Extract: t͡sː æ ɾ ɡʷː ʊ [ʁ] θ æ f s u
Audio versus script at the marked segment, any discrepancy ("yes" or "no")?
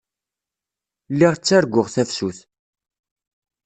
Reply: no